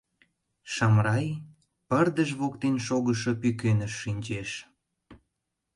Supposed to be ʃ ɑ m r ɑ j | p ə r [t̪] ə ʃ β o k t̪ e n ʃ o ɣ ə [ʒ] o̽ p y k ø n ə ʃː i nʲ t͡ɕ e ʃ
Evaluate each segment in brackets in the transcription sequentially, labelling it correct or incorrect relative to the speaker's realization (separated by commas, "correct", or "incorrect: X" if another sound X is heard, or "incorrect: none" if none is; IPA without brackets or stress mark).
incorrect: d̪, incorrect: ʃ